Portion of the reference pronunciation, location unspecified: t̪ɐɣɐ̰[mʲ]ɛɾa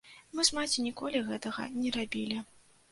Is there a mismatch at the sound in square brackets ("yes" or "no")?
yes